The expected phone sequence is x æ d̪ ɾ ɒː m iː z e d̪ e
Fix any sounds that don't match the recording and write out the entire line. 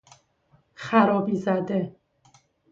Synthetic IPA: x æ ɾ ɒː b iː z æ d̪ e